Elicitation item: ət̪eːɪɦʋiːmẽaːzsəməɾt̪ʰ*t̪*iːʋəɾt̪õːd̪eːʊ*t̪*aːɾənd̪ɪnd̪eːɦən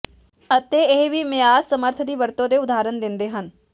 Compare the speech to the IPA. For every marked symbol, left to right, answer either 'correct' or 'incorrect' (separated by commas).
incorrect, incorrect